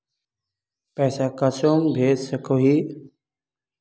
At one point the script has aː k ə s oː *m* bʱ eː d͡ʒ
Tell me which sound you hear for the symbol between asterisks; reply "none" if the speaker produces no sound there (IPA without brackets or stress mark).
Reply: m